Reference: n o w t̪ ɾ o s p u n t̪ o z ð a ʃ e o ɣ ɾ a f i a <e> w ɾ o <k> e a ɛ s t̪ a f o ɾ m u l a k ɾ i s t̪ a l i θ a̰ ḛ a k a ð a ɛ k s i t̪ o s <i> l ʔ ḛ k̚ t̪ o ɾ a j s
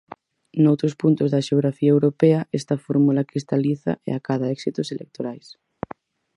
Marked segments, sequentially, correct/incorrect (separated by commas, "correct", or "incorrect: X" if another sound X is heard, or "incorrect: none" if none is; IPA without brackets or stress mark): correct, incorrect: p, incorrect: e